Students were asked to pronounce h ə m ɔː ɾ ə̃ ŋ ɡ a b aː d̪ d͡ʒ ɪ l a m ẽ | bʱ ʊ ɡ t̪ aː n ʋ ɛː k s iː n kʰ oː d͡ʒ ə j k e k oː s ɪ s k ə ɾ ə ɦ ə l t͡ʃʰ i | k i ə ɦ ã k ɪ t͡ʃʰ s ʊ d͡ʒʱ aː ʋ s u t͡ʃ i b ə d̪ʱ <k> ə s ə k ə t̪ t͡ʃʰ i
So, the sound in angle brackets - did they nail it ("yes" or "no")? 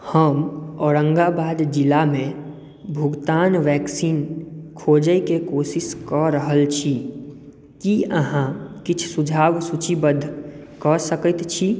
yes